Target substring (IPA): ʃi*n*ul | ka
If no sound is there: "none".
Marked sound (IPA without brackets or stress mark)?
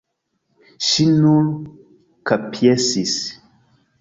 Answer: n